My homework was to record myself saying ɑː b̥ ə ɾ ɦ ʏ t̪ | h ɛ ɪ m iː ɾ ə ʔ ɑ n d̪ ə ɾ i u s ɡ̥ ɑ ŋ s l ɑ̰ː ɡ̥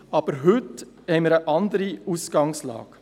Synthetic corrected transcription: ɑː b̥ ə ɾ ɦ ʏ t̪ | h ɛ ɪ m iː ɾ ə ʔ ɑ n d̪ ə ɾ i u s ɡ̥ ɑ ŋ s l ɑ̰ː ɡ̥